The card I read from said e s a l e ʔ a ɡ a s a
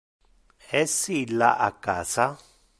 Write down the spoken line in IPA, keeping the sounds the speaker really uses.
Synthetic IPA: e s i l a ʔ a k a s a